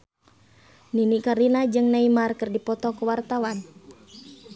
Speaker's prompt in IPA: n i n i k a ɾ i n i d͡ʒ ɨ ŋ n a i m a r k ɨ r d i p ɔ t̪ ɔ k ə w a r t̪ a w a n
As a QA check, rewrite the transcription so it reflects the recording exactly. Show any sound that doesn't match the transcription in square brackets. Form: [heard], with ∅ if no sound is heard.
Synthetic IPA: n i n i k a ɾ i n [a] d͡ʒ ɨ ŋ n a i m a r k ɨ r d i p ɔ t̪ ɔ k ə w a r t̪ a w a n

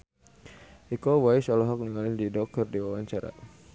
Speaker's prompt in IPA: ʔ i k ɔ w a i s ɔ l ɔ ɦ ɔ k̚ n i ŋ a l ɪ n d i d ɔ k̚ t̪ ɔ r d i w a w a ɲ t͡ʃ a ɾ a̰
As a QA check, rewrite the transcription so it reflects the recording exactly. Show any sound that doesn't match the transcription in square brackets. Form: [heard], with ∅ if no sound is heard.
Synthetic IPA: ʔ i k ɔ w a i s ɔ l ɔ ɦ ɔ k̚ n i ŋ a l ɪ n d i d ɔ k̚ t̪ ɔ r d i w a w a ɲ t͡ʃ a ɾ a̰

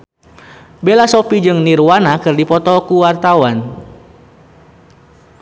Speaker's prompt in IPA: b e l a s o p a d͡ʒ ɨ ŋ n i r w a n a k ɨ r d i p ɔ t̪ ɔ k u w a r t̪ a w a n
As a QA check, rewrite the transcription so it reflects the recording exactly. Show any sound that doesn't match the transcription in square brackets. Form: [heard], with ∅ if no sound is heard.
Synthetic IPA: b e l a s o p [i] d͡ʒ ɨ ŋ n i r w a n a k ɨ r d i p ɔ t̪ ɔ k u w a r t̪ a w a n

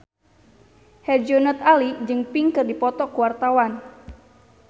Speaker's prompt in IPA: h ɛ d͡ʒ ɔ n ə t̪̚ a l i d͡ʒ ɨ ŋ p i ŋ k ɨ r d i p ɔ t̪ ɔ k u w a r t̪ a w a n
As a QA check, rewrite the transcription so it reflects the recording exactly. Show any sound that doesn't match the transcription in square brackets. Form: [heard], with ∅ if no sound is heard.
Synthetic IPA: h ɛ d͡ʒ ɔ n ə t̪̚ a l i d͡ʒ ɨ ŋ p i ŋ k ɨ r d i p ɔ t̪ ɔ k u w a r t̪ a w a n

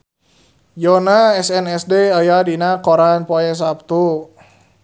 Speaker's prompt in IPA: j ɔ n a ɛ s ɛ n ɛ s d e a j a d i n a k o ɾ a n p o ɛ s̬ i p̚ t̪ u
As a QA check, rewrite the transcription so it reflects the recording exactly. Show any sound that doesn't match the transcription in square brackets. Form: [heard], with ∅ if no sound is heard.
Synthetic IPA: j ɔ n a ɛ s ɛ n ɛ s d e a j a d i n a k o ɾ a n p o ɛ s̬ [a] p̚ t̪ u

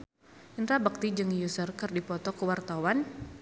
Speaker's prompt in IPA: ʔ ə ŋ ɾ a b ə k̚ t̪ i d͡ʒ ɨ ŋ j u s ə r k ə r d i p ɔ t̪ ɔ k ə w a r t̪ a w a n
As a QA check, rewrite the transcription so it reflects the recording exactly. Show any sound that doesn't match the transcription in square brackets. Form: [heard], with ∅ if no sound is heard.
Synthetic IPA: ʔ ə [n] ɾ a b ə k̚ t̪ i d͡ʒ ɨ ŋ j u s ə r k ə r d i p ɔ t̪ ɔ k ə w a r t̪ a w a n

